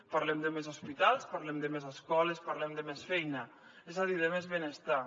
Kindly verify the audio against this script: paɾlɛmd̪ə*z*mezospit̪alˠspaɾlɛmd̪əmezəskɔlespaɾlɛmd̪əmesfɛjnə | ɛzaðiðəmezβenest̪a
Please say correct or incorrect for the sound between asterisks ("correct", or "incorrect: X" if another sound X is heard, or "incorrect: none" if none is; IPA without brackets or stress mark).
incorrect: none